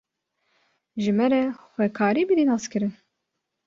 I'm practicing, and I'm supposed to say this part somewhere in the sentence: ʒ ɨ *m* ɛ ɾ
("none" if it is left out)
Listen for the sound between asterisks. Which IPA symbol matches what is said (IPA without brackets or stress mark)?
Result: m